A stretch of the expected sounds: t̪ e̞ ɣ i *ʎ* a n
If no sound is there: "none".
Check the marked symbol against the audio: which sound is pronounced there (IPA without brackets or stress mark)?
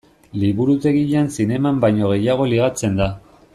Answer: ʎ